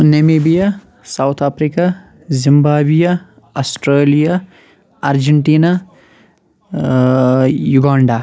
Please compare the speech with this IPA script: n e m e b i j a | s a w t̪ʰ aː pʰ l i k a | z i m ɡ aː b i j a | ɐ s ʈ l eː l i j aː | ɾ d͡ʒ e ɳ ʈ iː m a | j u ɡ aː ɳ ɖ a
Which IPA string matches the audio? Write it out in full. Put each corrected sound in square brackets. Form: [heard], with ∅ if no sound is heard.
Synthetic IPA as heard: n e m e b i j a | s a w t̪ʰ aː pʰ [ɾ] i k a | z i m [b] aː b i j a | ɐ s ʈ [ɾ] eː l i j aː | ɾ d͡ʒ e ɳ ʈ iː [n] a | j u ɡ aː ɳ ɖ a